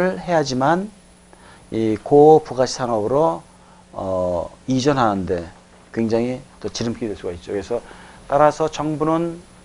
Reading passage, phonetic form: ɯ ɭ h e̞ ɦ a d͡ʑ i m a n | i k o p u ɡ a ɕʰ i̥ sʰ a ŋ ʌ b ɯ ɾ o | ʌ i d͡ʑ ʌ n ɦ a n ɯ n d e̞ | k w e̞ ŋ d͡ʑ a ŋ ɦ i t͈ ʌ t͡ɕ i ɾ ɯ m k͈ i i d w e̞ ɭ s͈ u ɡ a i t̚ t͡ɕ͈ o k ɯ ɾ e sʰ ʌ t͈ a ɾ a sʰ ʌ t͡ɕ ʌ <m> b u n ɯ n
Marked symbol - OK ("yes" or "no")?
no